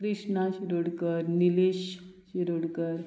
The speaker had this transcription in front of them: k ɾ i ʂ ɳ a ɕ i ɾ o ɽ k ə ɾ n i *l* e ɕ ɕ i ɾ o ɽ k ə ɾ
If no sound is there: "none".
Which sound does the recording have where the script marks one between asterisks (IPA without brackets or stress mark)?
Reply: l